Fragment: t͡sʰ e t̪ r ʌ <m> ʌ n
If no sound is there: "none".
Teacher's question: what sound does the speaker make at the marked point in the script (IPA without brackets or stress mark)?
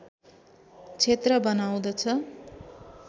b